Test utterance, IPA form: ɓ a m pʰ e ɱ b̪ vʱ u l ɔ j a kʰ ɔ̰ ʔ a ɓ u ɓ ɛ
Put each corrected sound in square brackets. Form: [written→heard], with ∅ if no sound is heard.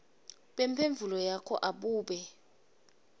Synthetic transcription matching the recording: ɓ [a→e] m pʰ e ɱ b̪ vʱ u l ɔ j a kʰ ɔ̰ ʔ a ɓ [u→uː] ɓ ɛ